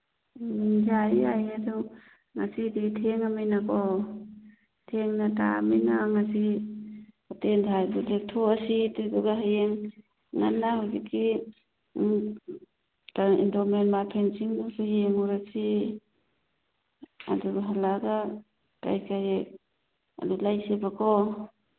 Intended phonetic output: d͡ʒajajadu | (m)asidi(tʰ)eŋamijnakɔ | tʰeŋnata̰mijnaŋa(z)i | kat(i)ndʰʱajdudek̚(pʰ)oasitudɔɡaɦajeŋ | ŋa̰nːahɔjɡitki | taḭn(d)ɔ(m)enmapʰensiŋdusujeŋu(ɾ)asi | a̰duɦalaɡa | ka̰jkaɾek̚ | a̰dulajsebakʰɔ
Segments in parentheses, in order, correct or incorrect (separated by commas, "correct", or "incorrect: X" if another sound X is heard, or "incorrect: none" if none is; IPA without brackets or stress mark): incorrect: ŋ, correct, incorrect: s, incorrect: e, incorrect: tʰ, correct, correct, correct